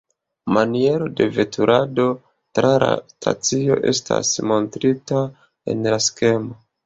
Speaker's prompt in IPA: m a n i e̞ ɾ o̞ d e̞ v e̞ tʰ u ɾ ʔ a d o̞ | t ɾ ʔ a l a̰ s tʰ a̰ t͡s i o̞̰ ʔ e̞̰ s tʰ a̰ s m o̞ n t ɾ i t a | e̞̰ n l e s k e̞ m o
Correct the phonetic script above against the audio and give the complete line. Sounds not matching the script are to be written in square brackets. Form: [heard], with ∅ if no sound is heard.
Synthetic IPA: m a n i e̞ ɾ o̞ d e̞ v e̞ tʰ u ɾ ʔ a d o̞ | t ɾ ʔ a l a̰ s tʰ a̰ t͡s i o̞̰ ʔ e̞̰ s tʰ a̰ s m o̞ n t ɾ i t a | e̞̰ n l [a] s k e̞ m o